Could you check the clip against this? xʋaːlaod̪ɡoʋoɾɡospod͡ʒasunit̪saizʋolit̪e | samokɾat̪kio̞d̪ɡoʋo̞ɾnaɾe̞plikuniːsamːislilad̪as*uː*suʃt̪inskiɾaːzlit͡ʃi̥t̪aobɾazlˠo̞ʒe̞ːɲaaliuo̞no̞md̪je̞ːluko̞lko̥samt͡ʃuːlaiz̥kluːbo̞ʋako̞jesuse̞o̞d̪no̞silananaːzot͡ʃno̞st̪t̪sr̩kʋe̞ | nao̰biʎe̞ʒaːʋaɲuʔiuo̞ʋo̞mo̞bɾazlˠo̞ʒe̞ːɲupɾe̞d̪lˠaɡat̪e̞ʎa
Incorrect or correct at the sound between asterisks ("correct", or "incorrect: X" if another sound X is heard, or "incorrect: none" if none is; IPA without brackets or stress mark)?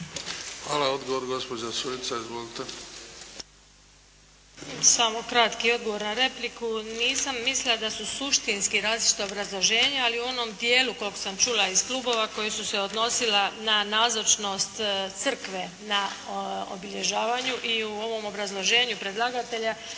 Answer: incorrect: u